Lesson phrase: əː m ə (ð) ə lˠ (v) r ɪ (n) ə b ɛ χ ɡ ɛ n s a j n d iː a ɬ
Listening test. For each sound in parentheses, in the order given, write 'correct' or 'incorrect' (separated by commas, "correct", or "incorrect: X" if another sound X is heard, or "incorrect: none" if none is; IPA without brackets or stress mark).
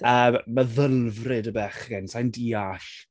correct, correct, incorrect: d